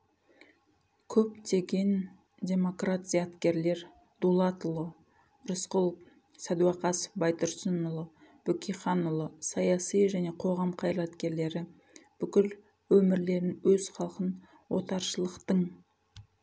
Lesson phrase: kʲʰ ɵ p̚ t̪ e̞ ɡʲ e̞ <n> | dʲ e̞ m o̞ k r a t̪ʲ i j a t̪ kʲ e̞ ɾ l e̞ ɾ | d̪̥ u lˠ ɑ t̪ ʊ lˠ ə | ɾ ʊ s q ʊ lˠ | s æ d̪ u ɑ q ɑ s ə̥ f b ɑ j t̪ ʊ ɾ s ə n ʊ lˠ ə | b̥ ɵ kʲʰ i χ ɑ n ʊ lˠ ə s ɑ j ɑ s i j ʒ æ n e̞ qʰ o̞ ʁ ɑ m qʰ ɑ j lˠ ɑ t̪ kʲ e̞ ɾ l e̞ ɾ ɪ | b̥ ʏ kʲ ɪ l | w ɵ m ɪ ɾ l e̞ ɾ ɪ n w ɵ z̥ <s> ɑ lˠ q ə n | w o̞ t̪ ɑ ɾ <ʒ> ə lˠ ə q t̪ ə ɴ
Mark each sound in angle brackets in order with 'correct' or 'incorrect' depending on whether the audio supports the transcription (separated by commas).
correct, incorrect, incorrect